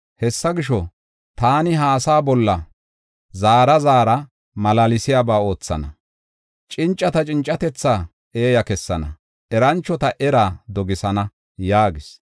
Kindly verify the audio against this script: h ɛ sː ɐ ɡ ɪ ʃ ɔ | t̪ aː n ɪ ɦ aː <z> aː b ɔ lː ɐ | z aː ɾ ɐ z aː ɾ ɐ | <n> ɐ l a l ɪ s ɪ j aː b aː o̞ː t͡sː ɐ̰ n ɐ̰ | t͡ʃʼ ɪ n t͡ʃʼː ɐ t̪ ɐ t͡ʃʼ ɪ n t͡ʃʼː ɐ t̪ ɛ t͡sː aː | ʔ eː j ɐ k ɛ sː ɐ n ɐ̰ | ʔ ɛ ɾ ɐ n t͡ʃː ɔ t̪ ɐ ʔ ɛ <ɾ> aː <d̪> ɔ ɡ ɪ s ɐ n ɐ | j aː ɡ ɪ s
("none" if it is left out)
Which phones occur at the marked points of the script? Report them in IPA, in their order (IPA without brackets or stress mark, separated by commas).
s, m, ɾ, d̪